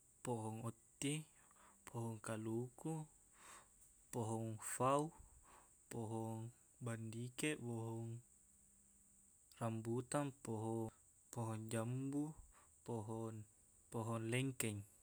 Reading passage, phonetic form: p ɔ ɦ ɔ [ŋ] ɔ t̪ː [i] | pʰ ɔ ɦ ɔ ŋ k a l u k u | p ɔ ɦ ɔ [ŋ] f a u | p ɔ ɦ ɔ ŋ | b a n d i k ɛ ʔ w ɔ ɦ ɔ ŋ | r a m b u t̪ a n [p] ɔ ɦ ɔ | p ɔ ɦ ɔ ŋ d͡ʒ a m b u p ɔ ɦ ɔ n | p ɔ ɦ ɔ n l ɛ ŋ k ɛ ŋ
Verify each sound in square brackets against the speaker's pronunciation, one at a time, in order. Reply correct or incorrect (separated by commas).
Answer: correct, correct, correct, correct